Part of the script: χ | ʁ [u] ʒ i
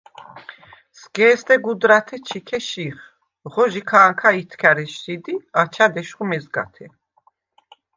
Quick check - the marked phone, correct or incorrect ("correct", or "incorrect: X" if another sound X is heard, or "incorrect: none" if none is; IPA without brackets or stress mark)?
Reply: incorrect: ɔ